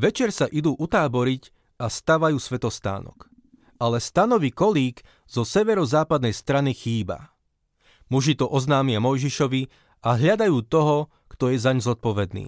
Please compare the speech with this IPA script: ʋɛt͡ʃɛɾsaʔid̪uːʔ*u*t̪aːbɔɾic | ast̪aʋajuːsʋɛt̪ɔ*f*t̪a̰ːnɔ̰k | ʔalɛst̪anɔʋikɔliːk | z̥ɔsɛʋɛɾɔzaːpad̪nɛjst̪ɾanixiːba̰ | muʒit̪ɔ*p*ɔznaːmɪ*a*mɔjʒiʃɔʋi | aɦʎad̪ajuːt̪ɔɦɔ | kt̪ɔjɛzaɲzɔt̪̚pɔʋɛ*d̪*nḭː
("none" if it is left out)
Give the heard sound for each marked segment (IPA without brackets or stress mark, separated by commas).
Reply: u, s, ʔ, a, d̪